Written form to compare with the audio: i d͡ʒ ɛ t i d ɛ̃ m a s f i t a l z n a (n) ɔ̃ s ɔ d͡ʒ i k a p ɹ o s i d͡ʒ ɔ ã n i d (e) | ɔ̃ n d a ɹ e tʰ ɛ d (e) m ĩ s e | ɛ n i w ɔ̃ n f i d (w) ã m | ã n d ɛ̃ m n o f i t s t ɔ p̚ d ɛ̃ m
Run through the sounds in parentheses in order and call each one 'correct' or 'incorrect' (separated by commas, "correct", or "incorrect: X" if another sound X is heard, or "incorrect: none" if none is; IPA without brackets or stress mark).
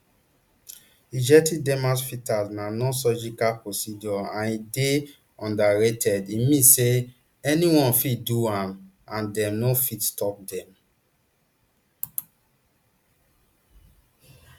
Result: correct, correct, incorrect: i, incorrect: u